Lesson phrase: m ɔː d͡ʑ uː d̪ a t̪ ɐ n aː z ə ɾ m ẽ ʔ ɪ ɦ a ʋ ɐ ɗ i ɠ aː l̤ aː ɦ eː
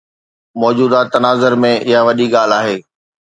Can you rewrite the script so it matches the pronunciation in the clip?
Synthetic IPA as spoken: m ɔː d͡ʑ uː d̪ a t̪ ɐ n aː z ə ɾ m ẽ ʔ ɪ ɦ a ʋ ɐ ɗ i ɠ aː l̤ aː ɦ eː